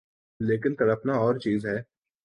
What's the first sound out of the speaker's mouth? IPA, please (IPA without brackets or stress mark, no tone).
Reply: l